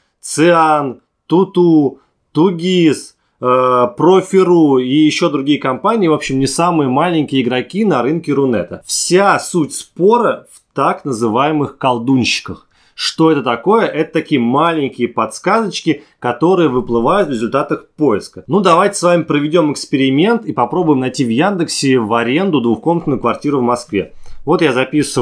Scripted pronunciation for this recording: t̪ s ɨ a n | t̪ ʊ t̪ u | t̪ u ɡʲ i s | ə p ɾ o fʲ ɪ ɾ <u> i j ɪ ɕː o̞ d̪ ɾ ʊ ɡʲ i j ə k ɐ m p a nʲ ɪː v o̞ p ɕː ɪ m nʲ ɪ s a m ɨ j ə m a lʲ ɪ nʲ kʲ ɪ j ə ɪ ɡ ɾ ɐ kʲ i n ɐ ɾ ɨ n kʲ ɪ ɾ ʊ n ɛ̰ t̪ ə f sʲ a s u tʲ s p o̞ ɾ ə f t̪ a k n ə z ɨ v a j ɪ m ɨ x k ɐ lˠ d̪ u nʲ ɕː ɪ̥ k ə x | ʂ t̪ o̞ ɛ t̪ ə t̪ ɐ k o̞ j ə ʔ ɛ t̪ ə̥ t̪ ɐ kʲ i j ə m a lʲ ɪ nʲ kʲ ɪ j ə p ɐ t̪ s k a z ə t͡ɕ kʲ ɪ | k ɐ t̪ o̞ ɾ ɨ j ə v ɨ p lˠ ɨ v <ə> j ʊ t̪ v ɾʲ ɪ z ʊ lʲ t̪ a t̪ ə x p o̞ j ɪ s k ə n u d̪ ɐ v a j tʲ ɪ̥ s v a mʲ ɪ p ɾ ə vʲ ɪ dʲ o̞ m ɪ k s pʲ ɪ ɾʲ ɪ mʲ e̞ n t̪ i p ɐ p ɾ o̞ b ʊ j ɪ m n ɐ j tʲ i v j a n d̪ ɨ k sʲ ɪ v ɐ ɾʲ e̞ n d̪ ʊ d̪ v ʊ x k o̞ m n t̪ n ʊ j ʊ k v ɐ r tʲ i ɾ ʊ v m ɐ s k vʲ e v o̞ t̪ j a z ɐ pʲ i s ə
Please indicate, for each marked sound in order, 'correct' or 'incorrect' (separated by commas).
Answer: correct, incorrect